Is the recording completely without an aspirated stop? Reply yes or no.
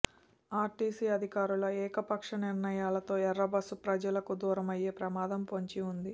yes